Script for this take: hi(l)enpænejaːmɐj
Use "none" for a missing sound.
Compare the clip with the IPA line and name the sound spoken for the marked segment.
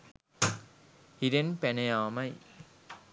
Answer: ɾ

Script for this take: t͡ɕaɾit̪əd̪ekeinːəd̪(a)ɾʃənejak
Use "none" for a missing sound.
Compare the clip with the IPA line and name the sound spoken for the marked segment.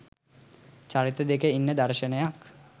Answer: a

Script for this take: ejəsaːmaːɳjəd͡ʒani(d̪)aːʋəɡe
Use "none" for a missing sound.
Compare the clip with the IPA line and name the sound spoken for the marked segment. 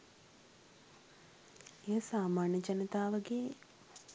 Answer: t̪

